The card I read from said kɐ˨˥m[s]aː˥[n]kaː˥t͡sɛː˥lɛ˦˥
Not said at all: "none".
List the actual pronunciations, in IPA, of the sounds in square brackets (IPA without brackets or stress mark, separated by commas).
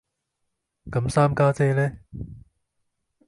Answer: s, m